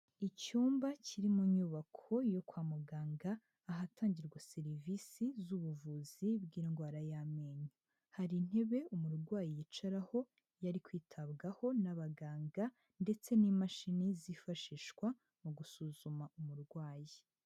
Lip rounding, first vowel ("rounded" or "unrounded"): unrounded